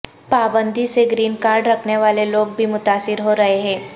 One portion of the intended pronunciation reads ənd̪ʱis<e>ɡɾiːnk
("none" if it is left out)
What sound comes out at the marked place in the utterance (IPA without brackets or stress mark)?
e